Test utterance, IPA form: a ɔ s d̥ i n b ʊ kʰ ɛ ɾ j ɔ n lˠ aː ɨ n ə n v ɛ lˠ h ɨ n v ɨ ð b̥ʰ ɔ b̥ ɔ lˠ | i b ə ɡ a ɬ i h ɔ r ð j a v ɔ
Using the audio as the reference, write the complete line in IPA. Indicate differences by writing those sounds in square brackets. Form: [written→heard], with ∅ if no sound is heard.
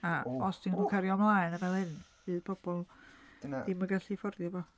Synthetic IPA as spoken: a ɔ s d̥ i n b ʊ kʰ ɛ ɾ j ɔ [n→m] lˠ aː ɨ n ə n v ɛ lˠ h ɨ n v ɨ ð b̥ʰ ɔ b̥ ɔ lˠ | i [b→m] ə ɡ a ɬ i [h→f] ɔ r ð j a v ɔ